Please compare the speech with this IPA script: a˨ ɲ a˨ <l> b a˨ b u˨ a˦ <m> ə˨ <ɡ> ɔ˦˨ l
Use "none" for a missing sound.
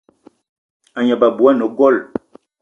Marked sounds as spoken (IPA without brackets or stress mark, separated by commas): none, n, ɡ